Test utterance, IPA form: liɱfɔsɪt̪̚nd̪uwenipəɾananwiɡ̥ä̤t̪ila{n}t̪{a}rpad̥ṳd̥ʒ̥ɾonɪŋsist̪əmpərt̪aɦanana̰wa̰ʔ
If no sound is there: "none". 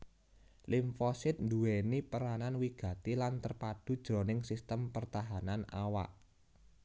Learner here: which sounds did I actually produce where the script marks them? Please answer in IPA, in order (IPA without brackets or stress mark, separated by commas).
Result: n, ə